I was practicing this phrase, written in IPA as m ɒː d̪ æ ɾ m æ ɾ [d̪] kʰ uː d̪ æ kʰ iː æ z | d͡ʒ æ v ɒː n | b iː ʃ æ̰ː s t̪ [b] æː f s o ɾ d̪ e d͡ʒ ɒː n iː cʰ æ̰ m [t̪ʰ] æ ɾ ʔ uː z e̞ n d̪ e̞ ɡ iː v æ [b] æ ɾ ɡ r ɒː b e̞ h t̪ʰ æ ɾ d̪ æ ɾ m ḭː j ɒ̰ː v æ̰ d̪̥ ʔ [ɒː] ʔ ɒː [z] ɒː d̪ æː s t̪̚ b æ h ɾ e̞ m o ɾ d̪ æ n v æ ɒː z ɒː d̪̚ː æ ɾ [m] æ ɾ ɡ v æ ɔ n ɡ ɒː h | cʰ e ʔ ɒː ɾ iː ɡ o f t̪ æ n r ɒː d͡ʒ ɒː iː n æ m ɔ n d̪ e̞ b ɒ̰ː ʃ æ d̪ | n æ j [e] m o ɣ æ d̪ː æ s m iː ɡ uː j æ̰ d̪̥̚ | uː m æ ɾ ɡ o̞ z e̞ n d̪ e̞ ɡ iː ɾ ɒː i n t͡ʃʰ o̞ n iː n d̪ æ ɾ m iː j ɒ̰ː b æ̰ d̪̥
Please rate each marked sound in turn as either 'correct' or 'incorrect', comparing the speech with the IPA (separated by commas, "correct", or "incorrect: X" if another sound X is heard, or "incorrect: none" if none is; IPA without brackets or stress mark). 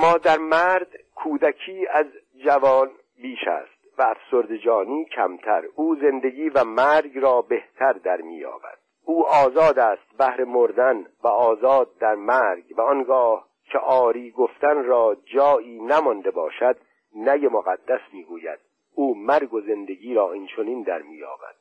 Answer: correct, incorrect: v, correct, incorrect: m, incorrect: uː, correct, correct, correct